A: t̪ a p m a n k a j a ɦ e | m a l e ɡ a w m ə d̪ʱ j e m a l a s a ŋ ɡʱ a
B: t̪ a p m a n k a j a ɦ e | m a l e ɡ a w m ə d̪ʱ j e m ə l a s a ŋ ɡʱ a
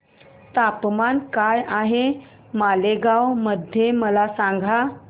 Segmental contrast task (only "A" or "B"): B